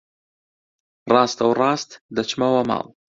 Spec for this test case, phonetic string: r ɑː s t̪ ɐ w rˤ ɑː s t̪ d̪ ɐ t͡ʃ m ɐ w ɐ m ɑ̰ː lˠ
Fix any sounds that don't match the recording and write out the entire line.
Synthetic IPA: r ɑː s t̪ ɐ w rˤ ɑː s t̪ d̪ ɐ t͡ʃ m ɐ w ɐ m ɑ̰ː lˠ